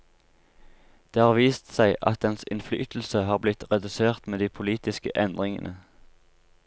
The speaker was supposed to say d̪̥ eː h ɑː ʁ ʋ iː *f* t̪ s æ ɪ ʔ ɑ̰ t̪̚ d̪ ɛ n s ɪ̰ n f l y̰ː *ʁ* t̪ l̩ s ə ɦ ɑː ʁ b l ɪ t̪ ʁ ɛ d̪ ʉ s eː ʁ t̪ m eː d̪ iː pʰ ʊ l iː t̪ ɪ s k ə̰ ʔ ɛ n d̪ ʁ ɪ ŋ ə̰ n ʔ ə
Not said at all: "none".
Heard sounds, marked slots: s, none

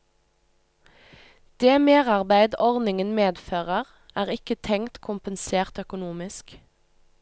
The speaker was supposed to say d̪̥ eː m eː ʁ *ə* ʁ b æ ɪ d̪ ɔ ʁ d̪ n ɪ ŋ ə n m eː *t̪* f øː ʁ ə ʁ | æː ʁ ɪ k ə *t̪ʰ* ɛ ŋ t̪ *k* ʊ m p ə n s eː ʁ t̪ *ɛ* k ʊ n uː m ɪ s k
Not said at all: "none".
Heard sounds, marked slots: ɑ, d̪, t̪ʰ, kʰ, œ

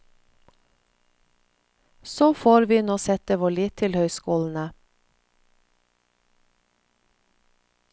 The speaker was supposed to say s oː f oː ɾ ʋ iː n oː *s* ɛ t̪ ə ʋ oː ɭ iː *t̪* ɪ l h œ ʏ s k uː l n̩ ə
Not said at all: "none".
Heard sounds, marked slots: s, t̪ʰ

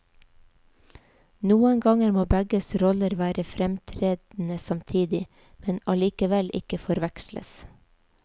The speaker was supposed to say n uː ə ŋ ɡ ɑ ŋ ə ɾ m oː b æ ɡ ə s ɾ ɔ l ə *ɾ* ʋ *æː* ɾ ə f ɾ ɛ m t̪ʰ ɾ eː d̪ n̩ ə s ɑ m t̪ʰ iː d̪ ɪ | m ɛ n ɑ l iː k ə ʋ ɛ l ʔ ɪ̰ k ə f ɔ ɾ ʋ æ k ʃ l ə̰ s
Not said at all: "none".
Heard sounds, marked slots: ɾ, æː

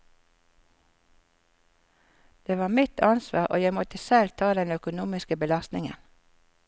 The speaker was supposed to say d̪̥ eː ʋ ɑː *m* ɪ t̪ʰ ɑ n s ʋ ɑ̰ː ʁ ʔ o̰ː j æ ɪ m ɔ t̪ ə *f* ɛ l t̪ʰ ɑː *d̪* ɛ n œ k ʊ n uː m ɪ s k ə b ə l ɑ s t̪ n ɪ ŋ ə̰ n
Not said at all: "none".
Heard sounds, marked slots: m, s, d̪

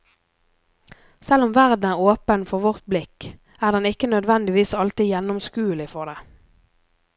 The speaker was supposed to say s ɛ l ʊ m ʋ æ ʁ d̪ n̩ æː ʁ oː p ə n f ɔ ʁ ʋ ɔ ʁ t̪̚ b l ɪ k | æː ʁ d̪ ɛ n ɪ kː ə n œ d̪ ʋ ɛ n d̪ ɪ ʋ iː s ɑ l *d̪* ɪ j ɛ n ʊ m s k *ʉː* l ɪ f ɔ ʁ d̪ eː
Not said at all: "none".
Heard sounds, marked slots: t̪, ʉː

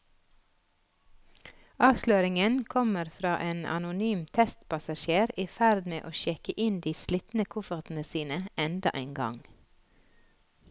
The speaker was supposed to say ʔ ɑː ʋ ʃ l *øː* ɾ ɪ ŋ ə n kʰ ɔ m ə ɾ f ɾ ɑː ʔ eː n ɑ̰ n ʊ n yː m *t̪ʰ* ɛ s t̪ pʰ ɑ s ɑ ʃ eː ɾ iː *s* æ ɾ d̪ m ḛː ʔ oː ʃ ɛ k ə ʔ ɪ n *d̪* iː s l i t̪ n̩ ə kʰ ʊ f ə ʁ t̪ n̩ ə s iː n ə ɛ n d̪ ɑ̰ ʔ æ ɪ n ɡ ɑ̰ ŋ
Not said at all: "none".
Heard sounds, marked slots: øː, t̪ʰ, f, d̪

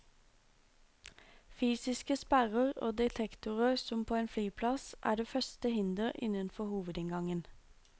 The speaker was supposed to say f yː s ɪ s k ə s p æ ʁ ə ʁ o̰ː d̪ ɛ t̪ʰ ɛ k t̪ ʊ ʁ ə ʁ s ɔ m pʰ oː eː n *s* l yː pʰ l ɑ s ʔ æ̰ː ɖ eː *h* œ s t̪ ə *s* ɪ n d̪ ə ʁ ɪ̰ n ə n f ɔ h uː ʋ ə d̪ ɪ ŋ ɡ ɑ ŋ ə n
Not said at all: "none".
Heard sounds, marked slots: f, f, h

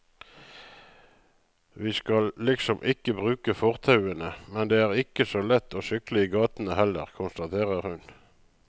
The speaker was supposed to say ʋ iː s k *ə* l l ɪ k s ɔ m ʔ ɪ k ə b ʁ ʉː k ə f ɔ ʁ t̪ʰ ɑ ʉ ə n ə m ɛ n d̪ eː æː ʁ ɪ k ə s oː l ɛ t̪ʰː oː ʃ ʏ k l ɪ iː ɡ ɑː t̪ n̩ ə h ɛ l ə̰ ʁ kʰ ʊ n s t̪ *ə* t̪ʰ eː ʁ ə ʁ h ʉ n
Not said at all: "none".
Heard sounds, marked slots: ɑ, ɑ

